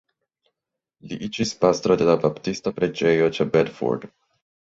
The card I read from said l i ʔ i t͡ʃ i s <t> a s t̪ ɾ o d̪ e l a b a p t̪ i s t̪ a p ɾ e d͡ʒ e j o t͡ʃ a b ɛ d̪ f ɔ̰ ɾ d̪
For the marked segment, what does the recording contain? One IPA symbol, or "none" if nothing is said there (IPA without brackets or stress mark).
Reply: p